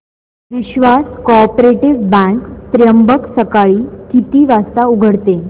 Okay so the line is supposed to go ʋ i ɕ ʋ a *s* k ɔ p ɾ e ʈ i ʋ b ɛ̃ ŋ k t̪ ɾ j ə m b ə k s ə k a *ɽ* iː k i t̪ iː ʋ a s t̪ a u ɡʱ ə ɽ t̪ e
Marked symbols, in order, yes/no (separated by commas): yes, no